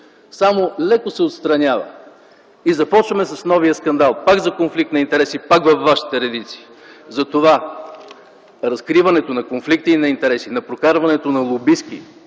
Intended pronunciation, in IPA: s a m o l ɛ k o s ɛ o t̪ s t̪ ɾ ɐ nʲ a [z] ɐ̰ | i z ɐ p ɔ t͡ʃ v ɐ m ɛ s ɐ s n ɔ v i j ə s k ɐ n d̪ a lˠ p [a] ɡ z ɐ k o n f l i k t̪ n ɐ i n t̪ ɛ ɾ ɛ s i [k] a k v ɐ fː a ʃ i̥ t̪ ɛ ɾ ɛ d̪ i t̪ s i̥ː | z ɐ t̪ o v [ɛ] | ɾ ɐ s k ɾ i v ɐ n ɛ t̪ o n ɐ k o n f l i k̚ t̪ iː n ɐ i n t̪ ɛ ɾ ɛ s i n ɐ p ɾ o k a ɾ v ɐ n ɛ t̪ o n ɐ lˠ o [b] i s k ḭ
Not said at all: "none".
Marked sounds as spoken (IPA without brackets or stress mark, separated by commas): v, a, p, a, b